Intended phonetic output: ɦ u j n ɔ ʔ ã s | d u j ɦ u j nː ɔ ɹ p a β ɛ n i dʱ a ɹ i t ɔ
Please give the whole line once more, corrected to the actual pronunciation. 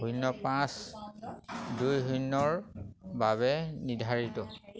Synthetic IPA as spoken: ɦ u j n ɔ p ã s | d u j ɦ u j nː ɔ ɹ b a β ɛ n i dʱ a ɹ i t ɔ